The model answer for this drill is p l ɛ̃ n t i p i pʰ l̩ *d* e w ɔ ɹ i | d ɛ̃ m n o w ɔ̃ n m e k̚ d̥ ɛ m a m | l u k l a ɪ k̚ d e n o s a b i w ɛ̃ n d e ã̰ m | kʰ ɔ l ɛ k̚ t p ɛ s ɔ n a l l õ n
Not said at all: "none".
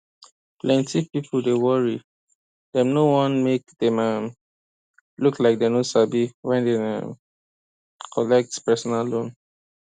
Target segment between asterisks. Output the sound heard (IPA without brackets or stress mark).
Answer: d